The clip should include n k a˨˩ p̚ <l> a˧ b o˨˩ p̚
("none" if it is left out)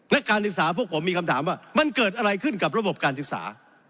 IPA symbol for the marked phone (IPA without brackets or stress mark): ɾ